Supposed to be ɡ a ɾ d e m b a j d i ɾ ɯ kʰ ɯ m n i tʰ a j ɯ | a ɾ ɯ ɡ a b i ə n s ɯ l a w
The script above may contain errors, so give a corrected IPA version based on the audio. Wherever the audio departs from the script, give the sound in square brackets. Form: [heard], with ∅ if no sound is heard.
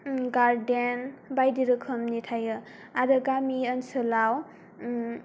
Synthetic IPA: ɡ a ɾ d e [n] b a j d i ɾ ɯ kʰ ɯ m n i tʰ a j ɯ | a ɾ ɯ ɡ a [m] i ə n s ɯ l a w